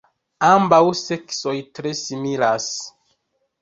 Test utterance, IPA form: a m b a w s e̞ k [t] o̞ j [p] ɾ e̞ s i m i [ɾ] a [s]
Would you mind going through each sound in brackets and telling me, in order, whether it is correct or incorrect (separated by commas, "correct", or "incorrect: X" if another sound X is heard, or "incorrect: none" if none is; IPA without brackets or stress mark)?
incorrect: s, incorrect: t, incorrect: l, correct